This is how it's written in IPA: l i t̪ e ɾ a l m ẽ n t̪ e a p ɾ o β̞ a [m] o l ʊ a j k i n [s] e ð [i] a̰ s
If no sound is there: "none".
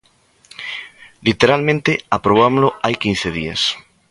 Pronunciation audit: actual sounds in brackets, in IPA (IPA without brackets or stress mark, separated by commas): m, θ, i